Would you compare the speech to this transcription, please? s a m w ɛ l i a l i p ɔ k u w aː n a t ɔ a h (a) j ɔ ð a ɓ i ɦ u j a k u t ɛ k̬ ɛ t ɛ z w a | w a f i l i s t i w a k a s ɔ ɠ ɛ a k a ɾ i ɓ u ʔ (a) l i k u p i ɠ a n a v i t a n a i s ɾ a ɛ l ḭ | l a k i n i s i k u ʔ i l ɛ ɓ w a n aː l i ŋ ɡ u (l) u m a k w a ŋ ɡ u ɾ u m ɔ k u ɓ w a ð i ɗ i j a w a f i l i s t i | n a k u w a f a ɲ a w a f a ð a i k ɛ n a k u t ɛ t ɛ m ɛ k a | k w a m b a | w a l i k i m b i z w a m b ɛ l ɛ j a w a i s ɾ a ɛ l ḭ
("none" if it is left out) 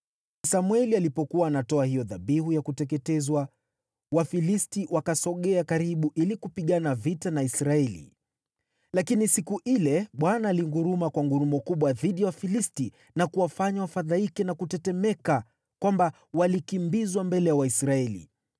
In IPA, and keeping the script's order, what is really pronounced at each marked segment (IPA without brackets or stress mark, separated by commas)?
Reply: i, i, ɾ